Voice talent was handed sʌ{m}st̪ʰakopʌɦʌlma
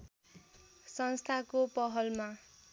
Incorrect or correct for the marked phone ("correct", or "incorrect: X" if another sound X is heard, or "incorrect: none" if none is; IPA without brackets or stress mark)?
incorrect: n